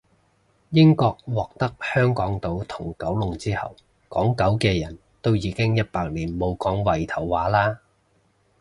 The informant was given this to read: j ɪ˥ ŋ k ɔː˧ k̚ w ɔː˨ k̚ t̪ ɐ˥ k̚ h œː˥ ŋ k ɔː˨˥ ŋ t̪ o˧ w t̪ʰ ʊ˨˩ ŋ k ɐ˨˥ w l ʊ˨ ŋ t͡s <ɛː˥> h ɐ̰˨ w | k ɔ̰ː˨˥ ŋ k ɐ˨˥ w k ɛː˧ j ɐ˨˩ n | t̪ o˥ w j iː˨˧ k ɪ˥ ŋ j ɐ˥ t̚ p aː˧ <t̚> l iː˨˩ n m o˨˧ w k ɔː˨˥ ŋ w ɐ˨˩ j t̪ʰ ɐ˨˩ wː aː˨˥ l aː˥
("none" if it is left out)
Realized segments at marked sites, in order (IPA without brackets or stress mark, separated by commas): iː˥, k̚